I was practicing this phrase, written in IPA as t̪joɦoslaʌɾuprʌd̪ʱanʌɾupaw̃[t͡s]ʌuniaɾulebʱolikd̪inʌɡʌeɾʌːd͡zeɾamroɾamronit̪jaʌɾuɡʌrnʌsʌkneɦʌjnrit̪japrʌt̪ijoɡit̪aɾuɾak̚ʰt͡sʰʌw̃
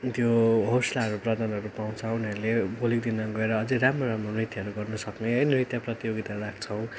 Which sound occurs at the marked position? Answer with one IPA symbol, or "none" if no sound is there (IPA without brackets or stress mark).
t͡sʰ